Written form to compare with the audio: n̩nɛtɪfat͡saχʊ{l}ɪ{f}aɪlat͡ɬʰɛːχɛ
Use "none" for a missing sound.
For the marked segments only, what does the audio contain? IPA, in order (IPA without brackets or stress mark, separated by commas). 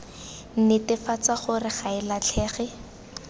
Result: r, χ